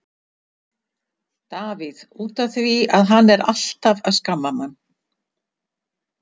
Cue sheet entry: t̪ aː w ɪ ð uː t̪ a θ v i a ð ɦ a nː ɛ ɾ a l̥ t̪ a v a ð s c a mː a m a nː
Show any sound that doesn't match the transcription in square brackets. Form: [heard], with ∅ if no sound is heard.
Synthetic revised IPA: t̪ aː [v] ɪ ð uː t̪ a θ v i a ð ɦ a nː ɛ ɾ a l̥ t̪ a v a ð s [k] a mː a m a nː